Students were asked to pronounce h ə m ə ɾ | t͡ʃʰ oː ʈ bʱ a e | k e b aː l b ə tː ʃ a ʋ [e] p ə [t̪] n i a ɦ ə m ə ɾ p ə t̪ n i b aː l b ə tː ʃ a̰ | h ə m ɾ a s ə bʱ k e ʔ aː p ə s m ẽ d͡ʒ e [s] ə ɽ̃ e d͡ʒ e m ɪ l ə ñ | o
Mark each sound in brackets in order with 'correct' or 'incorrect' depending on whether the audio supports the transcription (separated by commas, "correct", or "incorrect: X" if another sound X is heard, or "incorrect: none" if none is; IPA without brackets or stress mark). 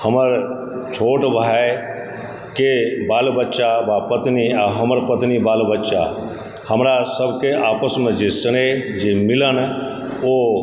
incorrect: a, correct, correct